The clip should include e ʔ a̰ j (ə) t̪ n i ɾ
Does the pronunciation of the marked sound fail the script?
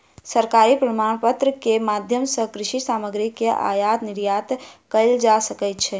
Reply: yes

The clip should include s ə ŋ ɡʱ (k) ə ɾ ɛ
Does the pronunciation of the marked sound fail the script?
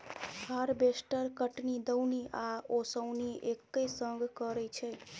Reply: no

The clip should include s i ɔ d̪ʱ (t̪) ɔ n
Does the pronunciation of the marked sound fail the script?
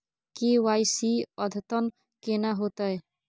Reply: no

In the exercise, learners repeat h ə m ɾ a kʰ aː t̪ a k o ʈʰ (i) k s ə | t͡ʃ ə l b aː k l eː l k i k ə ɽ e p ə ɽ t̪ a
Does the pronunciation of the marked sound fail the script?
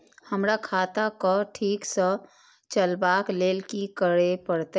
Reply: yes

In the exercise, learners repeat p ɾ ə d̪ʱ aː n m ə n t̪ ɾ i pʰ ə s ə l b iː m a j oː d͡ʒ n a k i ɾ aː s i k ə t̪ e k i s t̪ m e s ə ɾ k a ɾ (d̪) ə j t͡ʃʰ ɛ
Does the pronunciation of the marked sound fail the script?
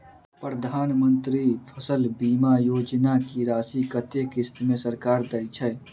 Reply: no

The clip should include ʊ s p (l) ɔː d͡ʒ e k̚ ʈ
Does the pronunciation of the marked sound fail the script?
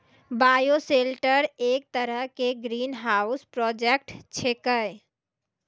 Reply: yes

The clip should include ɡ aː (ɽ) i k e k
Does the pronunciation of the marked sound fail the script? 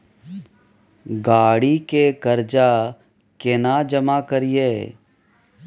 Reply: no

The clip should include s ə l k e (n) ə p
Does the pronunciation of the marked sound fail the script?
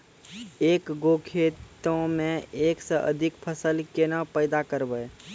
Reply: no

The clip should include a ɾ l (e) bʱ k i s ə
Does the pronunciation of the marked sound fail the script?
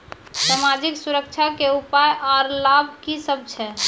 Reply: yes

